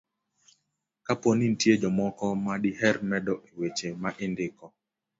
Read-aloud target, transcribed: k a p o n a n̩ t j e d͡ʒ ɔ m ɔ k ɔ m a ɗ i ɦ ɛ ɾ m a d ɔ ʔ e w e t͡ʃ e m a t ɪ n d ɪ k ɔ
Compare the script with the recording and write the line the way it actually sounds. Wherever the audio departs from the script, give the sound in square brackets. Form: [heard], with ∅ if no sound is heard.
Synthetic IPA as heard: k a p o n [i] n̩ t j e d͡ʒ ɔ m ɔ k ɔ m a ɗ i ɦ ɛ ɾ m [ɛ] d ɔ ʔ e w e t͡ʃ e m a [ʔ] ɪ n d ɪ k ɔ